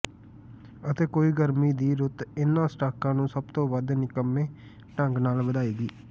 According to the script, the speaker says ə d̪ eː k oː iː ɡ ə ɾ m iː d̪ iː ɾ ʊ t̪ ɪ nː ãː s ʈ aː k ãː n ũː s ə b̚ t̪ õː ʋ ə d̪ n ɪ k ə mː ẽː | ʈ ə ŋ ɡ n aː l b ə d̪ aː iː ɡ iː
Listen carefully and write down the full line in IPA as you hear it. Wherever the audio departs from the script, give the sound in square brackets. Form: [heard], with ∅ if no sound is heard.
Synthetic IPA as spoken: ə [t̪] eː k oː iː ɡ ə ɾ m iː d̪ iː ɾ ʊ t̪ ɪ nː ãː s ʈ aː k ãː n ũː s ə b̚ t̪ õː ʋ ə d̪ n ɪ k ə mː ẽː | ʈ ə ŋ ɡ n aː l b ə d̪ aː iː ɡ iː